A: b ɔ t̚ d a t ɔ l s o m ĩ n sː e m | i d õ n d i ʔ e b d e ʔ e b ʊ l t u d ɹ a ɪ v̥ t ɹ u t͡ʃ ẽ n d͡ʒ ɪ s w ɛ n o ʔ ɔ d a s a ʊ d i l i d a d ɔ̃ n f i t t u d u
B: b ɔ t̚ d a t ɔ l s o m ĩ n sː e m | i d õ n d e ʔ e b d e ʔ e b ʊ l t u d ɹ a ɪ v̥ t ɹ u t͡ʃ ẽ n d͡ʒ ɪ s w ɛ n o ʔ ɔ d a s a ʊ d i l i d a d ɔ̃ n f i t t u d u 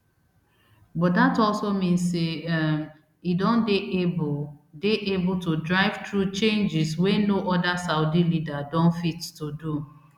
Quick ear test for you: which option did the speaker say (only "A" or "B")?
B